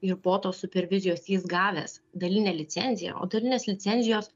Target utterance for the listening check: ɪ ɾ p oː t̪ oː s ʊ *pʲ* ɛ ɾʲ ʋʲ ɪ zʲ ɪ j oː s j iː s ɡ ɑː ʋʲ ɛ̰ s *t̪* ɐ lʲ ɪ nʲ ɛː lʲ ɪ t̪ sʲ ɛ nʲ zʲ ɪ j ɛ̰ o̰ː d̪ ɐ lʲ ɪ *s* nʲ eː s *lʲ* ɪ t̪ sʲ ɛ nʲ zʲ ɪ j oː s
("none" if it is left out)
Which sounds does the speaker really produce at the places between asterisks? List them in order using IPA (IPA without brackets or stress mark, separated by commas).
pʲ, d̪, none, lʲ